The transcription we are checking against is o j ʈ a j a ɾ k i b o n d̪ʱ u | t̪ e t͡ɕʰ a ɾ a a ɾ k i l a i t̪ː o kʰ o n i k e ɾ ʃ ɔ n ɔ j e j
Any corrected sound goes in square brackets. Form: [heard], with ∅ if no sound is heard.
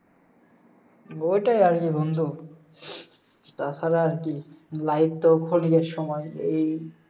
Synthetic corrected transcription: o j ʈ a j a ɾ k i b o n d̪ʱ u | t̪ [a] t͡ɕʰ a ɾ a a ɾ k i l a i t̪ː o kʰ o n i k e ɾ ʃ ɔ [m] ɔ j e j